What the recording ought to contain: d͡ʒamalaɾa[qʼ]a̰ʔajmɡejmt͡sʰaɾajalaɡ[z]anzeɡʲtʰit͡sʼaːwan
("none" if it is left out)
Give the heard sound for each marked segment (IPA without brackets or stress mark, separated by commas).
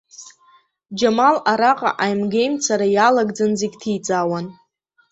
qʼ, d͡z